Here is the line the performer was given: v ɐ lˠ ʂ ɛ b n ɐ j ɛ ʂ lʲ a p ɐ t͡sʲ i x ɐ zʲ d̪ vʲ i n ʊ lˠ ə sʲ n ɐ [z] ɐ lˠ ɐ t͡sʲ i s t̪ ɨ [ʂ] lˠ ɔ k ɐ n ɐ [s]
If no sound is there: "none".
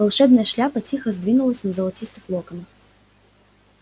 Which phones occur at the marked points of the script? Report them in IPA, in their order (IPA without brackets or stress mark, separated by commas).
z, x, x